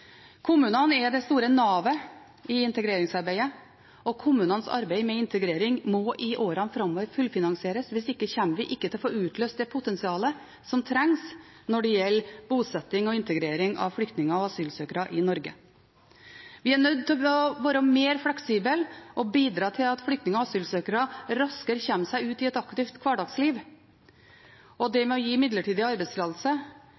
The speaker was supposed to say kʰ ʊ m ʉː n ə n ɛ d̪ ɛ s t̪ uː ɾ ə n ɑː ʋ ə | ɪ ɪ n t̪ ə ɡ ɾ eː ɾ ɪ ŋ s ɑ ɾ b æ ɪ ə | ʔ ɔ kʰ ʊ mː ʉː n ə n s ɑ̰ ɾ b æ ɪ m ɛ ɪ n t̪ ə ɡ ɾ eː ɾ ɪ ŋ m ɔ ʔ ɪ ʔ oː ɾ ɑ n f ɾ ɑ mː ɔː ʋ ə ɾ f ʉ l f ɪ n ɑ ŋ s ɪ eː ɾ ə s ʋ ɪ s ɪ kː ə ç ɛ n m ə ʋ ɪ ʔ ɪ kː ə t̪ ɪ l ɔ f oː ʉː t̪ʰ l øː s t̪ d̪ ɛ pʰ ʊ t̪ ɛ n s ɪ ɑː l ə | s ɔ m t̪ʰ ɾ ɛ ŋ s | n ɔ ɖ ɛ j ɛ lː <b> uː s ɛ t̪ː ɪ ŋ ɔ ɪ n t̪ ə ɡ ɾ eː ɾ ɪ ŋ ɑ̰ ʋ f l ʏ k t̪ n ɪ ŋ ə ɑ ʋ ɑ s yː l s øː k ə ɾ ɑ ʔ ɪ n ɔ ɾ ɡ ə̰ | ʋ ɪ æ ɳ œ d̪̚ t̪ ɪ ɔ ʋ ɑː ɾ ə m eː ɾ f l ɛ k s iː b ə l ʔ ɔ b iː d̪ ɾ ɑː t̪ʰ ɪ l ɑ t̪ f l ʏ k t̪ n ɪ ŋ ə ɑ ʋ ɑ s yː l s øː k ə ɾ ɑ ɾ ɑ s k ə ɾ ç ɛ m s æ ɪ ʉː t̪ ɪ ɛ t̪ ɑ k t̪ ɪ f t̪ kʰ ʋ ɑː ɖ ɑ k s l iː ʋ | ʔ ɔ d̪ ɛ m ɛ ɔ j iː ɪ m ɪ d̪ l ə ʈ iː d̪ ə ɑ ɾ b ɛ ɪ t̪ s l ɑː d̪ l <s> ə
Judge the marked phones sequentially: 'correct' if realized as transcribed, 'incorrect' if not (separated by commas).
correct, correct